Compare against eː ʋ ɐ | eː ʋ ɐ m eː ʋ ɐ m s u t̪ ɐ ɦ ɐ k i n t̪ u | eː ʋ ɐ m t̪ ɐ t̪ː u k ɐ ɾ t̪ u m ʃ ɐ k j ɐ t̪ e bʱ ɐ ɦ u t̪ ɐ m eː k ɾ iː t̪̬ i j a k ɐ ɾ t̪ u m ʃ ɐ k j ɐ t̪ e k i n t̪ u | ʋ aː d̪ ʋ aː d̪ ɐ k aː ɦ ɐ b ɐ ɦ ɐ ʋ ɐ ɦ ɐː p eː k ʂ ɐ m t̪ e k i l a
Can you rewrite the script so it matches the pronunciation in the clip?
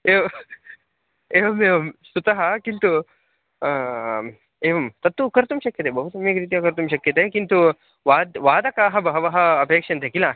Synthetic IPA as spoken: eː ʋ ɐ | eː ʋ ɐ m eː ʋ ɐ m s u t̪ ɐ ɦ ɐ k i n t̪ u | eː ʋ ɐ m t̪ ɐ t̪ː u k ɐ ɾ t̪ u m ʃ ɐ k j ɐ t̪ e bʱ ɐ ɦ u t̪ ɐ m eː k ɾ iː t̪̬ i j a k ɐ ɾ t̪ u m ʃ ɐ k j ɐ t̪ e k i n t̪ u | ʋ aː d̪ ʋ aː d̪ ɐ k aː ɦ ɐ b ɐ ɦ ɐ ʋ ɐ ɦ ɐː p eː k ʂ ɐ n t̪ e k i l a